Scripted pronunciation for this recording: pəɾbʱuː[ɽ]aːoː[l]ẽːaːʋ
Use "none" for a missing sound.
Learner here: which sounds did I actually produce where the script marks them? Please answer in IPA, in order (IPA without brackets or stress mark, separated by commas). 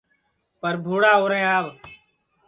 ɽ, ɾ